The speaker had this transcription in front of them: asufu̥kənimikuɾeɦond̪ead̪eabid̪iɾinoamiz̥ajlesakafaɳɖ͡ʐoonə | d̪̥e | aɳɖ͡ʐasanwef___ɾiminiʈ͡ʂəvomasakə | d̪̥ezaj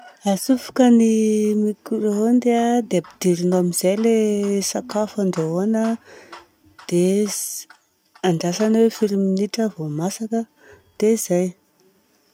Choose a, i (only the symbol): i